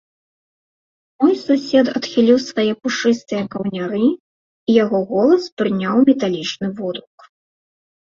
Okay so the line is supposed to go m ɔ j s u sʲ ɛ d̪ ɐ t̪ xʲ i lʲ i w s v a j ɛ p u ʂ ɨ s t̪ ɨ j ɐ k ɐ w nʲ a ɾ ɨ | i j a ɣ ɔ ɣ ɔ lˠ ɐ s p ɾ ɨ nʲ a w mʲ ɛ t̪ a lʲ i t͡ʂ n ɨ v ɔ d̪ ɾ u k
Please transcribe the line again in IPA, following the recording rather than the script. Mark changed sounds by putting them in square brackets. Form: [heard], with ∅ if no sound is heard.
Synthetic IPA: m ɔ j s u sʲ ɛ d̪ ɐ t̪ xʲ i lʲ i w s v a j ɛ p u ʂ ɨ s t̪ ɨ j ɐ k ɐ w nʲ a ɾ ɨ | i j a ɣ ɔ ɣ ɔ lˠ ɐ s p ɾ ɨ nʲ a w mʲ ɛ t̪ a lʲ i t͡ʂ n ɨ v ɔ d̪ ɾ u k